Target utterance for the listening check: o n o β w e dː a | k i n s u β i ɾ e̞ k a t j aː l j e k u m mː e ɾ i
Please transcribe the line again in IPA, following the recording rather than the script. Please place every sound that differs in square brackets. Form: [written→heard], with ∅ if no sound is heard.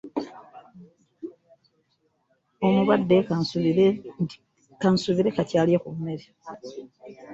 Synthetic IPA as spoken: o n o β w [e→a] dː [a→e] | k [i→a] n s u β i ɾ e̞ k a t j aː l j e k u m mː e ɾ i